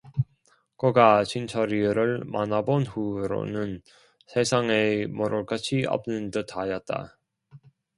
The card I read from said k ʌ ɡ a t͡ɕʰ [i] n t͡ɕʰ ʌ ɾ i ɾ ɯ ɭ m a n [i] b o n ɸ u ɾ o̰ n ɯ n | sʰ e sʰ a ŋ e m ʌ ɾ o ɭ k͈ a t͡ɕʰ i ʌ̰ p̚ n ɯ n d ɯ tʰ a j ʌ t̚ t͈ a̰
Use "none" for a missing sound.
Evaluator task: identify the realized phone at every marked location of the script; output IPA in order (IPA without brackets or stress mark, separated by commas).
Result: i, a